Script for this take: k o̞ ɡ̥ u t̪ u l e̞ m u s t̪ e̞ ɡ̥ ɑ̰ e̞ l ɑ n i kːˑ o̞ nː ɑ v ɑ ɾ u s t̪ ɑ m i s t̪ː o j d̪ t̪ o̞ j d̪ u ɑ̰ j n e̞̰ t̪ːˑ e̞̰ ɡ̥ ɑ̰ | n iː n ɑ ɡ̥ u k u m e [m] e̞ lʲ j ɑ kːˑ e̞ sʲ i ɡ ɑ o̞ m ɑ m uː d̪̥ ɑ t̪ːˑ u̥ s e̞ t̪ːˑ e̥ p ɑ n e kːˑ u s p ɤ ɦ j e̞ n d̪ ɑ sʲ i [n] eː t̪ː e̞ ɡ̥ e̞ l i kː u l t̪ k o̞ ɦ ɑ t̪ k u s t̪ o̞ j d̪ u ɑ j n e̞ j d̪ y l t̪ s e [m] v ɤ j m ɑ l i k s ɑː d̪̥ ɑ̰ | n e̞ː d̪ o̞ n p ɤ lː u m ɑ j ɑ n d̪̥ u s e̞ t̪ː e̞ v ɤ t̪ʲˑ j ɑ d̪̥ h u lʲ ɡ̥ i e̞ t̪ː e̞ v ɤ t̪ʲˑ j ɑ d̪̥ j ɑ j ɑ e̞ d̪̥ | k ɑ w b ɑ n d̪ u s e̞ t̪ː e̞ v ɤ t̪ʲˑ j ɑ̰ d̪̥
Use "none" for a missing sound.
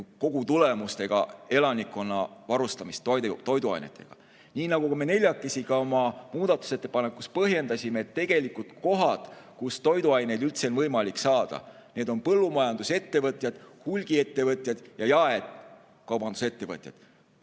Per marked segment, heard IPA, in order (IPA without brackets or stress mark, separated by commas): n, m, n